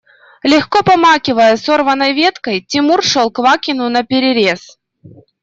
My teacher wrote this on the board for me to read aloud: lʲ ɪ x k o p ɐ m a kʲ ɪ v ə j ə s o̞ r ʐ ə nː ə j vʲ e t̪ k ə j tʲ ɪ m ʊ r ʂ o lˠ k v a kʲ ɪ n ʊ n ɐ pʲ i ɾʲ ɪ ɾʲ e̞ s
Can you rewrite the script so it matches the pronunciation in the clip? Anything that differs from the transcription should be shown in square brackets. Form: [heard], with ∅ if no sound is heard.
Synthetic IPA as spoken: lʲ ɪ x k o p ɐ m a kʲ ɪ v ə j ə s o̞ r [v] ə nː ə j vʲ e t̪ k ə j tʲ ɪ m [u] r ʂ o lˠ k v a kʲ ɪ n ʊ n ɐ pʲ [ɪ] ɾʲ ɪ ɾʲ e̞ s